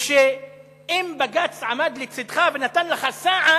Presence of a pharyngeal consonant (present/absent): present